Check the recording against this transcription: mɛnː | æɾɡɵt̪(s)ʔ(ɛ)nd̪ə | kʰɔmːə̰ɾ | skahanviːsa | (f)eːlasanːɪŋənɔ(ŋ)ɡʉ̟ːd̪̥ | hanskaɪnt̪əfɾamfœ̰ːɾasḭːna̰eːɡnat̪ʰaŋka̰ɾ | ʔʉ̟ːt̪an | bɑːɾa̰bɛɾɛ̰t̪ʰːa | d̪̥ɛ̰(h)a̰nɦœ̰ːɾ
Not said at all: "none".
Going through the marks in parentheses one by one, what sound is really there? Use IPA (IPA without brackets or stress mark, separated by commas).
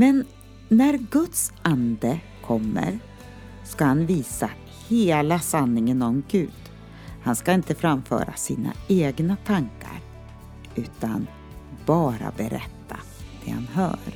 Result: s, a, h, m, h